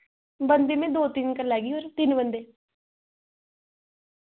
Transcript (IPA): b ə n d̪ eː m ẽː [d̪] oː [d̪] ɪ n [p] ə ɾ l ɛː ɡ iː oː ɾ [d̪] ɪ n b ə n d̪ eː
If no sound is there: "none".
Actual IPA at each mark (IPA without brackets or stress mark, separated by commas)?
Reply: d̪, t̪, k, t̪